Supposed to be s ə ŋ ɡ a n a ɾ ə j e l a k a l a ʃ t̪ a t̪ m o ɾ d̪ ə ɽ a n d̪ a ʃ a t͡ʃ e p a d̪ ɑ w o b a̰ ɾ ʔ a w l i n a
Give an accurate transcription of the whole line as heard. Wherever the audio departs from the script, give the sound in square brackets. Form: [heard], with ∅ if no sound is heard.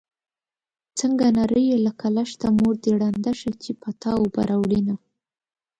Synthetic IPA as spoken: [t͡s] ə ŋ ɡ a n a ɾ ə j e l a k a l a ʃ t̪ a [∅] m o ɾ d̪ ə ɽ a n d̪ a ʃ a t͡ʃ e p a [t̪] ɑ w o b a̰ ɾ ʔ a w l i n a